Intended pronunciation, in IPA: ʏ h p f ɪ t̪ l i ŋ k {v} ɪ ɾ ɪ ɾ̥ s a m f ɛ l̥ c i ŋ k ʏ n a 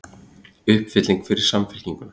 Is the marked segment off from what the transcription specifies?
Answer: yes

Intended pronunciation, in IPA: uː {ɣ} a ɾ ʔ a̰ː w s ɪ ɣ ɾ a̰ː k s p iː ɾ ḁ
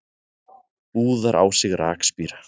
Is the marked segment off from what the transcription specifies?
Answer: yes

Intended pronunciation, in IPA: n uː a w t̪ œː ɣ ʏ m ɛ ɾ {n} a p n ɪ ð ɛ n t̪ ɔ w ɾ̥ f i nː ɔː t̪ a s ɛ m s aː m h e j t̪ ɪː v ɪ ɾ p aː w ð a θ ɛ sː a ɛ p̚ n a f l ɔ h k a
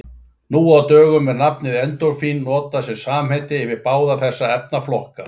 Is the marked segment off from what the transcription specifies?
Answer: no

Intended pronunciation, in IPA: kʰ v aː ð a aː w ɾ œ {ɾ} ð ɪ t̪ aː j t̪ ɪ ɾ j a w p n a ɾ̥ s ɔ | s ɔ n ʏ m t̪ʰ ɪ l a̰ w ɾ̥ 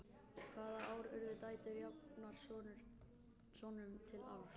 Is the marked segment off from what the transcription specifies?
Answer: no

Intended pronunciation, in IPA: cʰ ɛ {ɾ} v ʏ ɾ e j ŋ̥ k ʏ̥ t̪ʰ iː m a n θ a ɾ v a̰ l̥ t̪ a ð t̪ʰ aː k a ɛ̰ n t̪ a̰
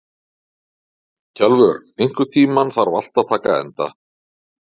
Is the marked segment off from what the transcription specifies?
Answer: yes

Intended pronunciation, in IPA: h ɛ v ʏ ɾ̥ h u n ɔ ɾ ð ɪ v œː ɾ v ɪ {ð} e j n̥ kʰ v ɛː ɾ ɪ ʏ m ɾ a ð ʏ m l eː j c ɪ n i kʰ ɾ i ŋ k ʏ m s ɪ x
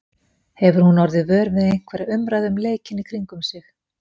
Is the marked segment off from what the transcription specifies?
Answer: no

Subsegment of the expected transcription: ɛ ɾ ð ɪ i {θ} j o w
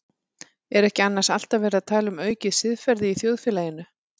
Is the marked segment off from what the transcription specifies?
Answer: no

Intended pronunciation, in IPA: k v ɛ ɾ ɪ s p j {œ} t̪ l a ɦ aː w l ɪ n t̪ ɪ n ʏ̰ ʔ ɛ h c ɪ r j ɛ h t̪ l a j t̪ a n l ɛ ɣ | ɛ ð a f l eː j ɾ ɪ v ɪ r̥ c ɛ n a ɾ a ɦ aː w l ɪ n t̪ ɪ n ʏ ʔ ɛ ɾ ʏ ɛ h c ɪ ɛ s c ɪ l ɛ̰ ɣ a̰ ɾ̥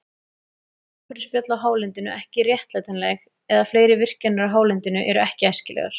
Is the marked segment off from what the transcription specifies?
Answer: no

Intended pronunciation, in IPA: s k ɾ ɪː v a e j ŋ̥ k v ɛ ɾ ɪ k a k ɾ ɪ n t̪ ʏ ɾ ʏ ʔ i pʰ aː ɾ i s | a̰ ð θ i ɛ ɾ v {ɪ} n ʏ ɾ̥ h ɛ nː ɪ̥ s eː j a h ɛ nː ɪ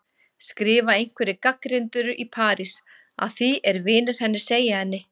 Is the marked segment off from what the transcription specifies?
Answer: yes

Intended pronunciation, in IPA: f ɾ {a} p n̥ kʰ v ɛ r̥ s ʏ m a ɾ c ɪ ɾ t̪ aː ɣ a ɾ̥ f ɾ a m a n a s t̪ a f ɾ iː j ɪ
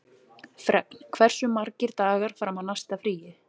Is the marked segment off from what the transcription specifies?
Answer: yes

